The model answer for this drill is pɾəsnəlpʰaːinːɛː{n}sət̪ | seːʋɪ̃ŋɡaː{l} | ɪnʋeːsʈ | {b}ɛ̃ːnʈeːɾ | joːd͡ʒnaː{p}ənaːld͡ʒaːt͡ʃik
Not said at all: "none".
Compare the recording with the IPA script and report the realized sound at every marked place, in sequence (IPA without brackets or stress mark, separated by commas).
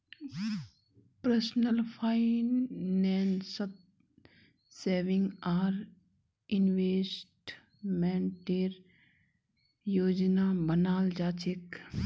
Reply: n, ɾ, m, b